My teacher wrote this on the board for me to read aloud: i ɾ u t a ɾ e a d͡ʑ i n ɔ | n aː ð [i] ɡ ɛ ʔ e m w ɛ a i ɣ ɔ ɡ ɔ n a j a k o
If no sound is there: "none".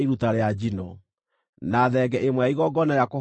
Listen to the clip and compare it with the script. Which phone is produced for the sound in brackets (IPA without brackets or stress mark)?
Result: ɛ